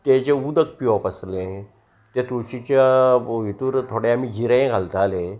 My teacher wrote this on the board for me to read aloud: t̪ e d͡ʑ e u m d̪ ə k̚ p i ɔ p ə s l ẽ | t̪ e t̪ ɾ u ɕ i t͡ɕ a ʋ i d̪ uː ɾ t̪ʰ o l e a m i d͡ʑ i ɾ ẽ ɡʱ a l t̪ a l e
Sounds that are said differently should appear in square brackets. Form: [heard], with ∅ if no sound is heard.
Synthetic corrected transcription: t̪ e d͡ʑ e u [∅] d̪ ə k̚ p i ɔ p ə s l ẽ | t̪ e t̪ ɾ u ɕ i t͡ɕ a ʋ i [t̪] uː ɾ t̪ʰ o [ɽ] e a m i d͡ʑ i ɾ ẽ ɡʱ a l t̪ a l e